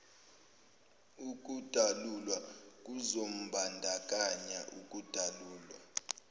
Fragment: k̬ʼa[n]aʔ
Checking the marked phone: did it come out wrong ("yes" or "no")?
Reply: yes